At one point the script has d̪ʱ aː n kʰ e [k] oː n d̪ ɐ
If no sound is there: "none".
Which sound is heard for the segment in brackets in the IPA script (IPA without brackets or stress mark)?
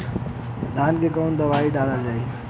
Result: k